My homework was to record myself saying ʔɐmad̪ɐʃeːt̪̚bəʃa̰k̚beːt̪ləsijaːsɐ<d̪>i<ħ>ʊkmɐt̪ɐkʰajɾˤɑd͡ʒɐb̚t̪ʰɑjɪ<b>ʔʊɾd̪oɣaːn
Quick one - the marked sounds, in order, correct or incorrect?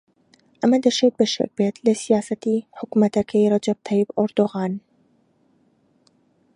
incorrect: t̪, correct, correct

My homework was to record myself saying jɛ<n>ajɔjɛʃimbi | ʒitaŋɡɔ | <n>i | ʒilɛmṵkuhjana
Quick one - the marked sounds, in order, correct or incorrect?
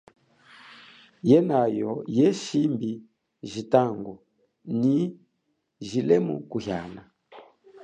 correct, correct

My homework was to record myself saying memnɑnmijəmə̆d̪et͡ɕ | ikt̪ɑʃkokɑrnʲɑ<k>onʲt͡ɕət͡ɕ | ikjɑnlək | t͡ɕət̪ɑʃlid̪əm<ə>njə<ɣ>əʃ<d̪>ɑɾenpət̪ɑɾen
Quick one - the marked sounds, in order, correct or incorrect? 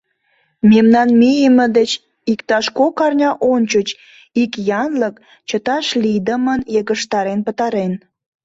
incorrect: ʔ, correct, correct, incorrect: t̪

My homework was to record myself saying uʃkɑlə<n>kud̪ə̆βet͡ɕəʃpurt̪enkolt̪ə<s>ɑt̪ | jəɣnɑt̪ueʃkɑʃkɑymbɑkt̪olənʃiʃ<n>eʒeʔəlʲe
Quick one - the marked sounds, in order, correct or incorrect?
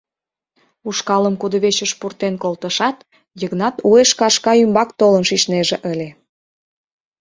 incorrect: m, incorrect: ʃ, correct

